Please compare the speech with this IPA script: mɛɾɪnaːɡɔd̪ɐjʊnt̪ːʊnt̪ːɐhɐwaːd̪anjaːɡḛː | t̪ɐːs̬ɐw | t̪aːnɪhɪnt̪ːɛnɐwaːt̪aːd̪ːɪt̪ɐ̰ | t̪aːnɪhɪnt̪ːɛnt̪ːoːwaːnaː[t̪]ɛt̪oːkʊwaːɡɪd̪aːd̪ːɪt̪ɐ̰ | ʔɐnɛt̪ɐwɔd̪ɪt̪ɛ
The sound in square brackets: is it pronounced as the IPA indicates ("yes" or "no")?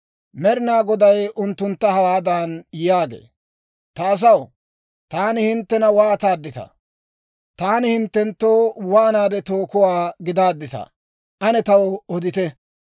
no